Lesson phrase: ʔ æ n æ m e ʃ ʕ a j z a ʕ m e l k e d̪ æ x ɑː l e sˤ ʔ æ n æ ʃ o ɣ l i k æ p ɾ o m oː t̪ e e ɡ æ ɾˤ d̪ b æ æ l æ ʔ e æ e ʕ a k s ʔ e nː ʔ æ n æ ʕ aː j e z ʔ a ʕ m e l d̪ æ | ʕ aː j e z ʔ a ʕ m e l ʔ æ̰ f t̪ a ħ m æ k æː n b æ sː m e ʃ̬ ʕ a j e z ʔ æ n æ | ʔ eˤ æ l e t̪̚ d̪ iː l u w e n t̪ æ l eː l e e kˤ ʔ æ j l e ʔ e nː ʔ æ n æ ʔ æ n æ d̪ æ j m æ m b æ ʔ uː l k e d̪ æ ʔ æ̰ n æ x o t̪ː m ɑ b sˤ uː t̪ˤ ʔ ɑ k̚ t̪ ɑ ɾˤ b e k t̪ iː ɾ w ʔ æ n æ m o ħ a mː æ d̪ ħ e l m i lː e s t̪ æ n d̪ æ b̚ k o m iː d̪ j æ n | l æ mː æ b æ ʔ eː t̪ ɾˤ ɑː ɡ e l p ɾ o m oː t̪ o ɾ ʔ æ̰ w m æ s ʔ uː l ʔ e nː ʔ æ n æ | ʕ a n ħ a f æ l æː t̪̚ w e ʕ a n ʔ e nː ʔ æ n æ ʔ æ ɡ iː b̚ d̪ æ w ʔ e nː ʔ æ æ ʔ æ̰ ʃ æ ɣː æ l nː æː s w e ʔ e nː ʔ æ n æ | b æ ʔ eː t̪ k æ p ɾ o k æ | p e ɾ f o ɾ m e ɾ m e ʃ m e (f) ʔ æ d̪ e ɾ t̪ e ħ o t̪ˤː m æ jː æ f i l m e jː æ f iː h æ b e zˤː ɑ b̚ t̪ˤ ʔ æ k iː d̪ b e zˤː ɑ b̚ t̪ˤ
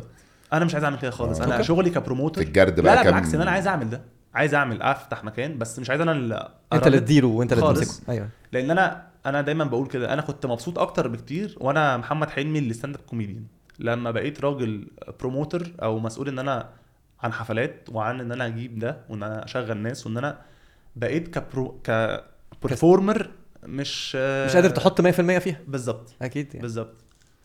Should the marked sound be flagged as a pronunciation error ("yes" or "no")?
yes